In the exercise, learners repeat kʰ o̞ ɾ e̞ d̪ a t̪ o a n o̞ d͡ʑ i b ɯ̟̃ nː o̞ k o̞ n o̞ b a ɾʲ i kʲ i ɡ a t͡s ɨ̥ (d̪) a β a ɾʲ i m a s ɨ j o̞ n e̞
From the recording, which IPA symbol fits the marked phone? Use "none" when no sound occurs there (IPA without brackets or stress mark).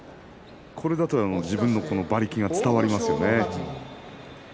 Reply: t̪